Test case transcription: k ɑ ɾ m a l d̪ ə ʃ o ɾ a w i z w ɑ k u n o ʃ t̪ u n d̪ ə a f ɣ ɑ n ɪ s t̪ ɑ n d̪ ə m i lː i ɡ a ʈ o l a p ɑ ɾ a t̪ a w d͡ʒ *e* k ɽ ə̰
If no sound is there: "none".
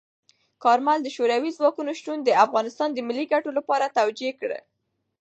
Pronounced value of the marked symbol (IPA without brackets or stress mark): e